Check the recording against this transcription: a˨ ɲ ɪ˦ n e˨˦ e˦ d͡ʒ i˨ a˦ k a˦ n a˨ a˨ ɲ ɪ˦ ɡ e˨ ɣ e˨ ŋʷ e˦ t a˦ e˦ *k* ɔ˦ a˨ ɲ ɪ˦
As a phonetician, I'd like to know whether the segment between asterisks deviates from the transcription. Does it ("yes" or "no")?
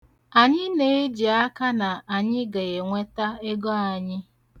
yes